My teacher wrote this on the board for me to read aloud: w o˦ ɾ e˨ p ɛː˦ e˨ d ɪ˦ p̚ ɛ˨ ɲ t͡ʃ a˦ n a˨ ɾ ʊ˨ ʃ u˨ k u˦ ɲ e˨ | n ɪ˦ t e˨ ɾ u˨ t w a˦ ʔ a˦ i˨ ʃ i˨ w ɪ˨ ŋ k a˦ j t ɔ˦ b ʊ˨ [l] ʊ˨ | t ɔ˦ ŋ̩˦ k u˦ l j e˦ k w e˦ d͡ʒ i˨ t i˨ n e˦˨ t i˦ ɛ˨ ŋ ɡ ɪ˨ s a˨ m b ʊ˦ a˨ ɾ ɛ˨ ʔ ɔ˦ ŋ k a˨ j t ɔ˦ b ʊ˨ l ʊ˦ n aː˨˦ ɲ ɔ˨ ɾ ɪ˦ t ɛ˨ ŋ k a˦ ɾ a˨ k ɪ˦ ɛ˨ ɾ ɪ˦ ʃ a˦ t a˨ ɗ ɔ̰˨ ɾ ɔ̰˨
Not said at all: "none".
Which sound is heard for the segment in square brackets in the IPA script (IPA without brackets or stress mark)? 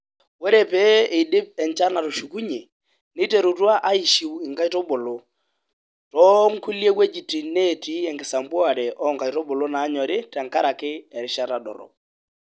l